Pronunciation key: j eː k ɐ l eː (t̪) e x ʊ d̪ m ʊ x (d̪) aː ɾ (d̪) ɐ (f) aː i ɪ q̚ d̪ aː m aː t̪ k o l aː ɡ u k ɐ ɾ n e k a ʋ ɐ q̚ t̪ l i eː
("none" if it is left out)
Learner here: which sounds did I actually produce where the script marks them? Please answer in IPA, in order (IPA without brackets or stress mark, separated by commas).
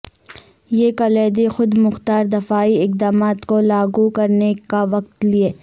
d̪, t̪, d̪, f